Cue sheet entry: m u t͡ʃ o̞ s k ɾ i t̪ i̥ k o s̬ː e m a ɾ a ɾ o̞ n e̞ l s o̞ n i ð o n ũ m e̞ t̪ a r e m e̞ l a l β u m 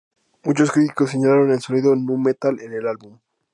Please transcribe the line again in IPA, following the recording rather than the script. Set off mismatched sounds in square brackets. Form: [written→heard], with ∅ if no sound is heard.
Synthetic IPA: m u t͡ʃ o̞ s k ɾ i t̪ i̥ k o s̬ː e [m→ɲ] a [ɾ→l] a ɾ o̞ n e̞ l s o̞ n i ð o n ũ m e̞ t̪ a [r→l] e [m→n] e̞ l a l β u m